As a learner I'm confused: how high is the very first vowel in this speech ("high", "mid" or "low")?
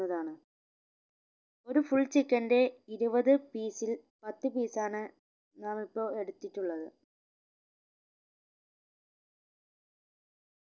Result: low